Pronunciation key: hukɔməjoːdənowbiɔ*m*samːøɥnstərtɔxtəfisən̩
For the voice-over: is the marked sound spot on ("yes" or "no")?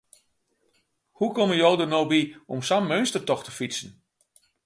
yes